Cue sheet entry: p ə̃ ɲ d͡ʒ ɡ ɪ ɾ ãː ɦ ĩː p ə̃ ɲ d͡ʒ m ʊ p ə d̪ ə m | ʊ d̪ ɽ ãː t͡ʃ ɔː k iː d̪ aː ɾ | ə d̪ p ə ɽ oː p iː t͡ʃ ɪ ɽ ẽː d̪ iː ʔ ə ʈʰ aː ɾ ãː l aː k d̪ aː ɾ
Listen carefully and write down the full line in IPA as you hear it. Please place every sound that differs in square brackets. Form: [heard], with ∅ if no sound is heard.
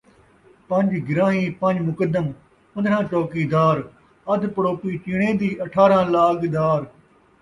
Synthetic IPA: p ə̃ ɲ d͡ʒ ɡ ɪ ɾ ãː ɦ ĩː p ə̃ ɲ d͡ʒ m ʊ [k] ə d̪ ə m | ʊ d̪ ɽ ãː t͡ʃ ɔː k iː d̪ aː ɾ | ə d̪ p ə ɽ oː p iː t͡ʃ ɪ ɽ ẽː d̪ iː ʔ ə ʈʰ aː ɾ ãː l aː k d̪ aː ɾ